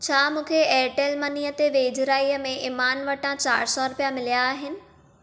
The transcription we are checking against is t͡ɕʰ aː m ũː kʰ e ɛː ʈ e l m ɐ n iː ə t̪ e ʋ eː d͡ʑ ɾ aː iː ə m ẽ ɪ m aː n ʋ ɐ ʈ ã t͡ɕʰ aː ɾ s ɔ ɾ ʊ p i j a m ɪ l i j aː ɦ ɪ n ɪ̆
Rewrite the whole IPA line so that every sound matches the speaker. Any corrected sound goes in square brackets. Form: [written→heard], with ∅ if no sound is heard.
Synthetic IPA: t͡ɕʰ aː m ũː kʰ e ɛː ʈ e l m ɐ n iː ə t̪ e ʋ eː d͡ʑ ɾ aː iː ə m ẽ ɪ m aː n ʋ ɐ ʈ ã [t͡ɕʰ→t͡ɕ] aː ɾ s ɔ ɾ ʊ p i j a m ɪ l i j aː ɦ ɪ n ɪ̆